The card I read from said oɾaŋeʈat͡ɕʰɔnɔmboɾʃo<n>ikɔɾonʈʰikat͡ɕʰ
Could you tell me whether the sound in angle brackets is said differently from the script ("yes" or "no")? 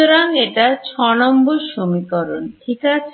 yes